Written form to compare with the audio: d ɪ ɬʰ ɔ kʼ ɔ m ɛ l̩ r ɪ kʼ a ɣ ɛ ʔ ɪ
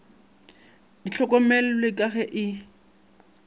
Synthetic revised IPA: d i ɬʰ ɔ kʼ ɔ m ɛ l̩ l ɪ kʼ a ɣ ɛ ʔ ɪ